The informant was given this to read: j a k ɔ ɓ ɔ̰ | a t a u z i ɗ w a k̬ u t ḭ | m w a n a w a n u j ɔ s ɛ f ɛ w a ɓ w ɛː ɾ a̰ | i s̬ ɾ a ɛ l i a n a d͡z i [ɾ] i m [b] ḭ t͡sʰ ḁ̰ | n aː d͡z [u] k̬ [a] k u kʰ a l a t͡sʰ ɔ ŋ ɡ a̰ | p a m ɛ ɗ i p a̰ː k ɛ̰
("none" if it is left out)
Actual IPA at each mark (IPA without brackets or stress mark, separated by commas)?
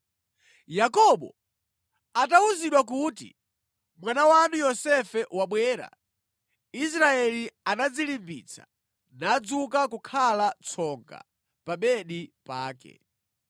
l, b, u, a